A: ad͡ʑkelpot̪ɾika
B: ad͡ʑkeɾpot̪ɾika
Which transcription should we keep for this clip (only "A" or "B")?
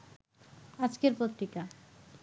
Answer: B